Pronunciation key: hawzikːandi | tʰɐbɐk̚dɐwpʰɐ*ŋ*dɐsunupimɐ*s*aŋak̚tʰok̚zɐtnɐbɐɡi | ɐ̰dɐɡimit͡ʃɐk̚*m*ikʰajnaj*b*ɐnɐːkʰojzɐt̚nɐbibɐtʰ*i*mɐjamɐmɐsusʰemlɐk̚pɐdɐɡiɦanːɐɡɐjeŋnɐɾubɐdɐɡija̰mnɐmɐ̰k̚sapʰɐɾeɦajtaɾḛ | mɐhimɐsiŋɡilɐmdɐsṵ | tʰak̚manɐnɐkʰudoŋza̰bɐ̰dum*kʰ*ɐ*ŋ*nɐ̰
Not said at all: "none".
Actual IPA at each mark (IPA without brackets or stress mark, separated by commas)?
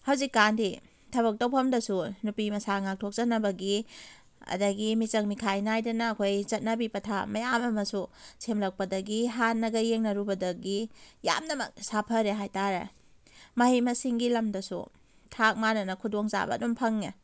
m, s, m, d, a, pʰ, ŋ